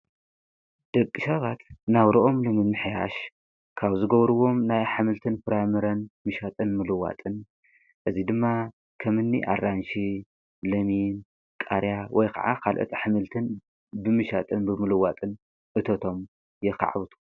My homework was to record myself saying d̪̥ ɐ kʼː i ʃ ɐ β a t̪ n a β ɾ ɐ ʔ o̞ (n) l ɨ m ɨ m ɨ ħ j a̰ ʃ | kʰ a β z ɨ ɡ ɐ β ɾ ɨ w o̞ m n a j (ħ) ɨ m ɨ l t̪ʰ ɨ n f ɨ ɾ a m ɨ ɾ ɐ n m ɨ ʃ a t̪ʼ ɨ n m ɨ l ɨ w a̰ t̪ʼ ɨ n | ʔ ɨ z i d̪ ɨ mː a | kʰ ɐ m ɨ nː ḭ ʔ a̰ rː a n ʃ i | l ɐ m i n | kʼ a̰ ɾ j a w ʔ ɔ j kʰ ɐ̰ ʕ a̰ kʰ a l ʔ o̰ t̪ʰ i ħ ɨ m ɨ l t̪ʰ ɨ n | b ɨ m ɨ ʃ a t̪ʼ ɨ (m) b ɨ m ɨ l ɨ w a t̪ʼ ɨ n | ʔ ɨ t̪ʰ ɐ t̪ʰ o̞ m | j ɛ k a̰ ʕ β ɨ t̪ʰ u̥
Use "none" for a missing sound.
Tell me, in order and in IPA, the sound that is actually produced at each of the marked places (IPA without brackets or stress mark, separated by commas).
m, ħ, n